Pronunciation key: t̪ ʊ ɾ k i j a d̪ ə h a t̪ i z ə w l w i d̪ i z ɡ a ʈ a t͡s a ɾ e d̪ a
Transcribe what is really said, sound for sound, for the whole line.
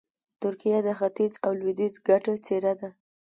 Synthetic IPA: t̪ ʊ ɾ k i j a d̪ ə x a t̪ i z a w l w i d̪ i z ɡ a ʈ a t͡s e ɾ a d̪ a